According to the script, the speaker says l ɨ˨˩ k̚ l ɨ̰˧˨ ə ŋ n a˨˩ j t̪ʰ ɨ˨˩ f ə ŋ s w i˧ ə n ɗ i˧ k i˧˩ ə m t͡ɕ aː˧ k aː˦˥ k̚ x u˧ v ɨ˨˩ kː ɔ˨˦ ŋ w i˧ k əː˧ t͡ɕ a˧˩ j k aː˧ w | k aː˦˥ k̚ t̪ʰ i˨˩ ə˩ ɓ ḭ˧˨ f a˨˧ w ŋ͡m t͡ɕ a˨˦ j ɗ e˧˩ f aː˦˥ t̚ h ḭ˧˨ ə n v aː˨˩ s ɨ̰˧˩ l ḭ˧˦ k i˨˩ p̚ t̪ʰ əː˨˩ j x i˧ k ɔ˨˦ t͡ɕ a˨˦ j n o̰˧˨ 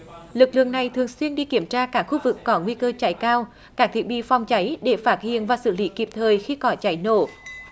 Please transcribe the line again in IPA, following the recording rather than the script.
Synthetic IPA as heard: l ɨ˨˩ k̚ l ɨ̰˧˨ ə ŋ n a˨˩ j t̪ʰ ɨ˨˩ ə ŋ s w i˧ ə n ɗ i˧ k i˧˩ ə m t͡ɕ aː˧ k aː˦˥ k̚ x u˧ v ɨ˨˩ kː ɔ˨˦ ŋ w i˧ k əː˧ t͡ɕ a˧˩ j k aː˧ w | k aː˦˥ k̚ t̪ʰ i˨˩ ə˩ ɓ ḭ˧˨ f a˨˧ w ŋ͡m t͡ɕ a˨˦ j ɗ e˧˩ f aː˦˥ t̚ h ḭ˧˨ ə n v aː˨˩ s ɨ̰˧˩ l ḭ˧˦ k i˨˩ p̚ t̪ʰ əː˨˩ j x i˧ k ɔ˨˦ t͡ɕ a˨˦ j n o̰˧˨